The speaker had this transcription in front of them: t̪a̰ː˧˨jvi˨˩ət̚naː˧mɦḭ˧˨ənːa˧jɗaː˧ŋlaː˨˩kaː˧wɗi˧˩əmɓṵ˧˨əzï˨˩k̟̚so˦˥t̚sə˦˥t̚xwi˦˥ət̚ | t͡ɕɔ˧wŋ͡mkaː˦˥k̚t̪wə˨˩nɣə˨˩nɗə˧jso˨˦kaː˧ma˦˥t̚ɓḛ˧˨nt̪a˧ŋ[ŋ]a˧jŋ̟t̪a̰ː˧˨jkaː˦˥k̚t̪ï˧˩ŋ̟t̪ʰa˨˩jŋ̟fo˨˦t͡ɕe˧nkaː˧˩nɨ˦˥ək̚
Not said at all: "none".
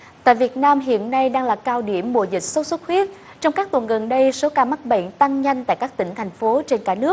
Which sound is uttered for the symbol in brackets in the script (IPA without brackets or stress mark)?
ɲ